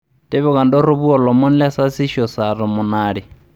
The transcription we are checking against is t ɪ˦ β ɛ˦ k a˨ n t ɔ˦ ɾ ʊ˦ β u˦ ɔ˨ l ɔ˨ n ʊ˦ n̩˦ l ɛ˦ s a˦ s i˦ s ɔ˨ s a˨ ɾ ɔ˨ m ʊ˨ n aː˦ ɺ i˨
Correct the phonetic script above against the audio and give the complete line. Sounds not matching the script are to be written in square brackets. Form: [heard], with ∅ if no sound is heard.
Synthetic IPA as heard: t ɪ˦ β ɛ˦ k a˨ n [d] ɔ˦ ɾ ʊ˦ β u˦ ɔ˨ l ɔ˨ [m] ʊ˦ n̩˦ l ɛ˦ s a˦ s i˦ [ʃ] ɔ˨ s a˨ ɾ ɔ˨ m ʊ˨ n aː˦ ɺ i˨